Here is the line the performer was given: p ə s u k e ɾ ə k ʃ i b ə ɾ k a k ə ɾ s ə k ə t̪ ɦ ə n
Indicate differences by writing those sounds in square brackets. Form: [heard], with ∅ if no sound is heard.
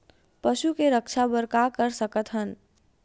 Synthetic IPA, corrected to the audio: p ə [ʃ] u k e ɾ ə k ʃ [a] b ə ɾ k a k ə ɾ s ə k ə t̪ ɦ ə n